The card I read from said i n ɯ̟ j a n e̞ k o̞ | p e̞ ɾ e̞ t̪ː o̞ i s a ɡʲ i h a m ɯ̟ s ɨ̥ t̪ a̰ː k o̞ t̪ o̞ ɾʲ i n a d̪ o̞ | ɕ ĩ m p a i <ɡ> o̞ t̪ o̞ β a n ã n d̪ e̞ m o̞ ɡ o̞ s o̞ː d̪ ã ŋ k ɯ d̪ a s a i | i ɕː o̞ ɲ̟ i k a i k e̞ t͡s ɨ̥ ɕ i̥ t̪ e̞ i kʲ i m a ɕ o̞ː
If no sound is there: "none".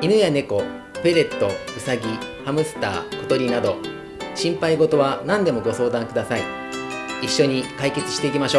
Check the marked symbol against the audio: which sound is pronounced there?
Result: ɡ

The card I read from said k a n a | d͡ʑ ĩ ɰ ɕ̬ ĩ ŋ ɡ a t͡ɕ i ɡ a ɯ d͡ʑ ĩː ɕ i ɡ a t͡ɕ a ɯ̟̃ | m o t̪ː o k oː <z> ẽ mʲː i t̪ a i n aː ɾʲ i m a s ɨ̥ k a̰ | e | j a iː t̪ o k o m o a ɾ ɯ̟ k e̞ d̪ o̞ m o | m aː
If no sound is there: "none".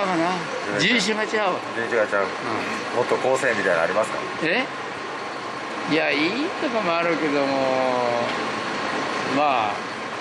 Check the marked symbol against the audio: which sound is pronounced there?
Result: s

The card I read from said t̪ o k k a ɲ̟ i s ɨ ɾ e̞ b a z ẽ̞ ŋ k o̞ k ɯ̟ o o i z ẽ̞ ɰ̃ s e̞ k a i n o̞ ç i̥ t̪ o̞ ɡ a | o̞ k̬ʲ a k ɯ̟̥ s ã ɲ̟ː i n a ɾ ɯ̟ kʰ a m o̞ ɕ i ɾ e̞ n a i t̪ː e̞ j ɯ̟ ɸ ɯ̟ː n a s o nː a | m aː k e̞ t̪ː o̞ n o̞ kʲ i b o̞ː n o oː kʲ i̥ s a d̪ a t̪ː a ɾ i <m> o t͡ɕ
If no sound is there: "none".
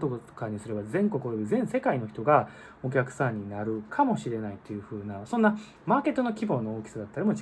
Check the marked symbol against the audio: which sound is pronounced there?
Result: m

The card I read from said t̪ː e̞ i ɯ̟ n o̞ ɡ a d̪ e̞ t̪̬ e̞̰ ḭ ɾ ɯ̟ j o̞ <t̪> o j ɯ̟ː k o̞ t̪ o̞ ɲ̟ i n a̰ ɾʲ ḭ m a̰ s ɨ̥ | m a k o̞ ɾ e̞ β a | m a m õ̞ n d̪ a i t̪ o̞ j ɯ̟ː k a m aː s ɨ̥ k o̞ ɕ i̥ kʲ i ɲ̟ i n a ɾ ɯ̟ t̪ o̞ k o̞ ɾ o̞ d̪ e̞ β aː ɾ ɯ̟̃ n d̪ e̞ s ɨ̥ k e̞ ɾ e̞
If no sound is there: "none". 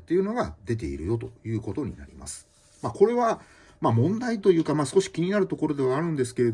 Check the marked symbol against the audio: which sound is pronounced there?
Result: t̪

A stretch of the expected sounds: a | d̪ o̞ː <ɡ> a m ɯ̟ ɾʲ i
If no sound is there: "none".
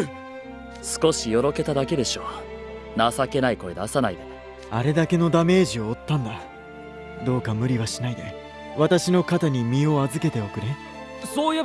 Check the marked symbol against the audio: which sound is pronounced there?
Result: k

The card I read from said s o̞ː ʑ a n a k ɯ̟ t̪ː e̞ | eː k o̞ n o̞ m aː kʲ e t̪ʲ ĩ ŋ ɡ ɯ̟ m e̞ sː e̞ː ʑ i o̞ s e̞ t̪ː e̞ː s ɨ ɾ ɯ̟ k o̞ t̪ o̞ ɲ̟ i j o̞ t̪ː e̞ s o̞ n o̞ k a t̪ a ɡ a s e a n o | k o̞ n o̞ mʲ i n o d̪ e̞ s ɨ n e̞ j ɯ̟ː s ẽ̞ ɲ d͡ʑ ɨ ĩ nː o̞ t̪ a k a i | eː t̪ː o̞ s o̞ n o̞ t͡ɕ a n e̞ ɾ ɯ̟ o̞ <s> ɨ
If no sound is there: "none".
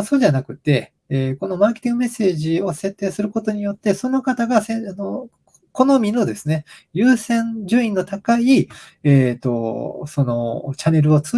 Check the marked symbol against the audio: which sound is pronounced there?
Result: t͡s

